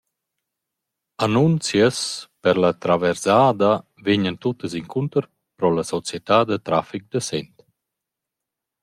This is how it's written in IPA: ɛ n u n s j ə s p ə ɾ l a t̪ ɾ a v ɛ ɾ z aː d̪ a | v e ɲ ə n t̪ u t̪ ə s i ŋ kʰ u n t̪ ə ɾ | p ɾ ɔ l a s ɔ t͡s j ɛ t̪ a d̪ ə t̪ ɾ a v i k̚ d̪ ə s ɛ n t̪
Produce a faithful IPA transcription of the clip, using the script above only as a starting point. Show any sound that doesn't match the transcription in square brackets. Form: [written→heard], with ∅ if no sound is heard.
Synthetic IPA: [ɛ→a] n u n [s→t͡s] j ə s p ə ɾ l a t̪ ɾ a v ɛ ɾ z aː d̪ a | v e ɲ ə n t̪ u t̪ ə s i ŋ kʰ u n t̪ ə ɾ | p ɾ ɔ l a s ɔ t͡s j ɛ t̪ a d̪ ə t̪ ɾ a [v→f] i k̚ d̪ ə s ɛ n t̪